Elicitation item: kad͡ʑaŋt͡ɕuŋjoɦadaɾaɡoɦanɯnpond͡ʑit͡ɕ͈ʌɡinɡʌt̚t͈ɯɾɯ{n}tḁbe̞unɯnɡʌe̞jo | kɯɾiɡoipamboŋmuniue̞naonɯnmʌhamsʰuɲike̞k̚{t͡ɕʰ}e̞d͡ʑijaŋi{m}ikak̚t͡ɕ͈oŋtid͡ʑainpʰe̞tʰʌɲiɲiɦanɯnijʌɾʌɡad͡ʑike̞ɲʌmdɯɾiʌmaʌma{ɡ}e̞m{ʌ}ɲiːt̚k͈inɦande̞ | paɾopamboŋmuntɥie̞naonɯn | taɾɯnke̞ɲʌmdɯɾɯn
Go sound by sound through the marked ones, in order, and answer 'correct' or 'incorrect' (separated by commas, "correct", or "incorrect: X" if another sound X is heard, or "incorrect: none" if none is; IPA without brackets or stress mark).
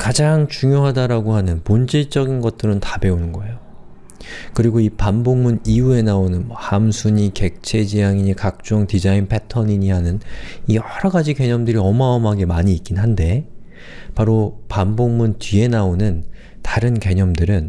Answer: correct, correct, incorrect: ɲ, correct, incorrect: a